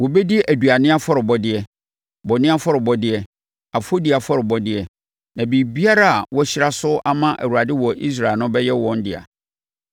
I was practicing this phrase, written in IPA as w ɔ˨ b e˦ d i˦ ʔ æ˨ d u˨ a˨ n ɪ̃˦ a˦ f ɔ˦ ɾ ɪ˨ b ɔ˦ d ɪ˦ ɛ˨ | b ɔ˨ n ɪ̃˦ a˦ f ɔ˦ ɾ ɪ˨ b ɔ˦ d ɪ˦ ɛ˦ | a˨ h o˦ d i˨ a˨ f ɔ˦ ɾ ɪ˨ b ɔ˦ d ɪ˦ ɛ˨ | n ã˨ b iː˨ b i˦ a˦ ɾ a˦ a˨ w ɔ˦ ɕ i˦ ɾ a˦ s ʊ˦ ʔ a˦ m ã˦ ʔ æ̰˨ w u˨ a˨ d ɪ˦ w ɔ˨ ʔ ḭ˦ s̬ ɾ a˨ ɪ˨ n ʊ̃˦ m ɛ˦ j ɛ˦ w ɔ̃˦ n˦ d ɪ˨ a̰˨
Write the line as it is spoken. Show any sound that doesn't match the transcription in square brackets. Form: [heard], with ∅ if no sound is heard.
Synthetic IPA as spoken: w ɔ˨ b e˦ d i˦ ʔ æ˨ d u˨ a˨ n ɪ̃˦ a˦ f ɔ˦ ɾ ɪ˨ b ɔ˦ d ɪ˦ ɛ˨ | b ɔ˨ n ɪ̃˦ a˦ f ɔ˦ ɾ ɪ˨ b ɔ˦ d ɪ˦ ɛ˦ | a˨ [f] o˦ d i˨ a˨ f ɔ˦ ɾ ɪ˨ b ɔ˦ d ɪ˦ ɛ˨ | n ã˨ b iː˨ b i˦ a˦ ɾ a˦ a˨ w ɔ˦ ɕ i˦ ɾ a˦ s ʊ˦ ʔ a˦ m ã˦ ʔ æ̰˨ w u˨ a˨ d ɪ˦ w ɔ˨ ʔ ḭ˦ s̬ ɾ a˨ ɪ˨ n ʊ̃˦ [b] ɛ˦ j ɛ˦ w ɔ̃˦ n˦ d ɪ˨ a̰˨